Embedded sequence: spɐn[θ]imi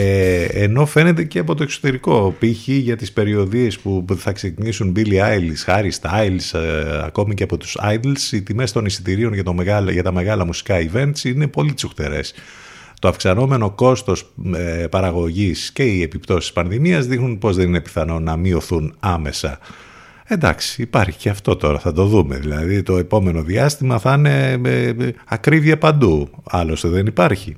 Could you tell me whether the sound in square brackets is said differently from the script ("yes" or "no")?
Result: yes